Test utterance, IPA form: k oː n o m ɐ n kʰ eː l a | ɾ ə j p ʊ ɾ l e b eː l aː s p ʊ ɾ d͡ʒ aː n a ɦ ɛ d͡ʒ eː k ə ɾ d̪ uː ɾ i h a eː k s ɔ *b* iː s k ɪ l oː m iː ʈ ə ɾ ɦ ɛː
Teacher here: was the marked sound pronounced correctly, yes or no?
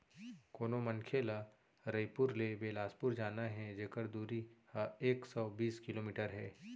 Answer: yes